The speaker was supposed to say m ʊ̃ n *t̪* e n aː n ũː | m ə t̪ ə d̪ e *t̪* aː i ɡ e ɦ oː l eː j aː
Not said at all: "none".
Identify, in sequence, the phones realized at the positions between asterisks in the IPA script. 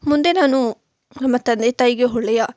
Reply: d̪, t̪

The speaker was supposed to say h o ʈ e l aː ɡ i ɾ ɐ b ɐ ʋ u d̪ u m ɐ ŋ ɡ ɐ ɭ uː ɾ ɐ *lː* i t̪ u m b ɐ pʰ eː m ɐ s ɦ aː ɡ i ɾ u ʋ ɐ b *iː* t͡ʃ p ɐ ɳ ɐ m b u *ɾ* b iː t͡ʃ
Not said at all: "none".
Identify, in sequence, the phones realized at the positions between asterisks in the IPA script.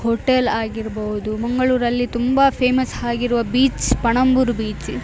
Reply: lː, iː, ɾ

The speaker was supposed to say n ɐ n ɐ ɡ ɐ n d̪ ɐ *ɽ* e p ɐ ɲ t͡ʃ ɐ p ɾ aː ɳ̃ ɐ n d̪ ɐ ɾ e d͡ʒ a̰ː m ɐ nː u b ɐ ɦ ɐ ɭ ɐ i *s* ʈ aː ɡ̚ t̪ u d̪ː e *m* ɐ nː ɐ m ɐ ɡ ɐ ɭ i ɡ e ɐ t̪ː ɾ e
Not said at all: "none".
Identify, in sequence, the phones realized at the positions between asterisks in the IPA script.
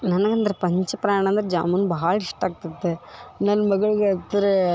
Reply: ɾ, ʂ, n

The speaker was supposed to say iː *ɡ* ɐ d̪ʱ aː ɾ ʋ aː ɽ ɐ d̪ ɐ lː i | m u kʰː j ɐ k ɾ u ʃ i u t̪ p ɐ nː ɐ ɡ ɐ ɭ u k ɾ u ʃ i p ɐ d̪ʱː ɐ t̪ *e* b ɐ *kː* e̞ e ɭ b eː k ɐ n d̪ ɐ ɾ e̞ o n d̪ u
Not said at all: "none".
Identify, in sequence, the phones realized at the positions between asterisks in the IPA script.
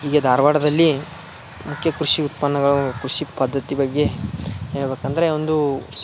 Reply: ɡ, i, ɡː

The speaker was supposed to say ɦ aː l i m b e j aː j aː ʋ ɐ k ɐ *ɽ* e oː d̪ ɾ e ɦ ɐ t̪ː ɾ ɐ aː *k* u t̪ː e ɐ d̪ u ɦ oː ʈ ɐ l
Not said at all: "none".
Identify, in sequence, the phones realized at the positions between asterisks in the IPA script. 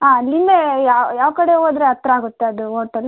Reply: ɽ, ɡ

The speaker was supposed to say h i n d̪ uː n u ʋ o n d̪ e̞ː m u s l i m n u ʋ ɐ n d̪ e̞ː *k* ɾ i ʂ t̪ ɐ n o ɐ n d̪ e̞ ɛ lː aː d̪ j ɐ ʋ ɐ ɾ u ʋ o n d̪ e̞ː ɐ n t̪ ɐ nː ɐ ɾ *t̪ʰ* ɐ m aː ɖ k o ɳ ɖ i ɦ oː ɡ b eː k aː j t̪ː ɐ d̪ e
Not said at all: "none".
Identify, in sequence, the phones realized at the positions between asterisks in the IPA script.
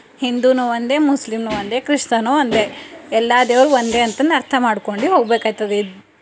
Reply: k, t̪ʰ

